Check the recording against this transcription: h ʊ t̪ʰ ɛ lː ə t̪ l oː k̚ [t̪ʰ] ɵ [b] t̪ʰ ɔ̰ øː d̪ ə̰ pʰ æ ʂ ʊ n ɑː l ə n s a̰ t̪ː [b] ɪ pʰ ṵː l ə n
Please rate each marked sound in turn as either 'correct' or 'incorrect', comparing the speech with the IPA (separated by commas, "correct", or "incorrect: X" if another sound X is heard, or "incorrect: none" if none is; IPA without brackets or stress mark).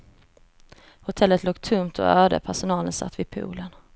correct, incorrect: m, incorrect: v